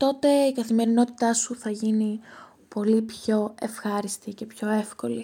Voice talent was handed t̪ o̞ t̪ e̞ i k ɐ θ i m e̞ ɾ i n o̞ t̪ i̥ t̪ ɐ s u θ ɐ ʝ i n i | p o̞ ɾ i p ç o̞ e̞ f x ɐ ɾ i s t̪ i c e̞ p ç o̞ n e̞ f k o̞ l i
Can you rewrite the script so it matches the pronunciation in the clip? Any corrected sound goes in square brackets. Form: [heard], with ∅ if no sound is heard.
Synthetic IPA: t̪ o̞ t̪ e̞ i k ɐ θ i m e̞ ɾ i n o̞ t̪ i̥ t̪ ɐ s u θ ɐ ʝ i n i | p o̞ [l] i p ç o̞ e̞ f x ɐ ɾ i s t̪ i c e̞ p ç o̞ [∅] e̞ f k o̞ l i